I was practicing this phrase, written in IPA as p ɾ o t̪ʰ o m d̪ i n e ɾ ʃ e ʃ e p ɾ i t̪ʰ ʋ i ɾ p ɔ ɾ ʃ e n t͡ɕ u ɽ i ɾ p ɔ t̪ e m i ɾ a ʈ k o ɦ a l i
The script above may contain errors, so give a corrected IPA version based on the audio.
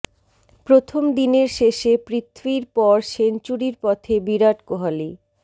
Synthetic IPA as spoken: p ɾ o t̪ʰ o m d̪ i n e ɾ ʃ e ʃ e p ɾ i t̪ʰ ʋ i ɾ p ɔ ɾ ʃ e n t͡ɕ u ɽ i ɾ p ɔ t̪ʰ e b i ɾ a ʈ k o ɦ a l i